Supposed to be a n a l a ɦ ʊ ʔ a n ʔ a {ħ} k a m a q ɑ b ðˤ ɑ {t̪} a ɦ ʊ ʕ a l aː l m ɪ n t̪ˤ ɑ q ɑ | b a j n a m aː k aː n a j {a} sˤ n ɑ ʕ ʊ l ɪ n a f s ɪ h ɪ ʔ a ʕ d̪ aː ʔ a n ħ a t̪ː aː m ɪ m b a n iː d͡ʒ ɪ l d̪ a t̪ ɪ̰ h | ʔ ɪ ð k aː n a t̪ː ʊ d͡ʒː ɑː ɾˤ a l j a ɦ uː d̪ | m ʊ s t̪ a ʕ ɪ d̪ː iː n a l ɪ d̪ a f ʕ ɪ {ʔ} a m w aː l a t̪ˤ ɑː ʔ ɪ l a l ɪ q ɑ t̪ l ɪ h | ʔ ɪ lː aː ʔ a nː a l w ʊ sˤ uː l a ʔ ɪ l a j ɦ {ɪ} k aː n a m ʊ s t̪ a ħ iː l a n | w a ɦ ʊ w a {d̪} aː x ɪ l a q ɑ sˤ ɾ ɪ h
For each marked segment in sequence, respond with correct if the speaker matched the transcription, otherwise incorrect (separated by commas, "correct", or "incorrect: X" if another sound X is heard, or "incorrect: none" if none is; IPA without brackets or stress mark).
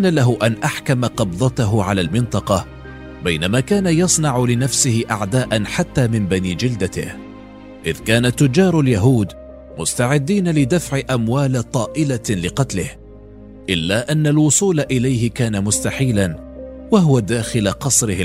correct, correct, incorrect: ɑ, correct, correct, correct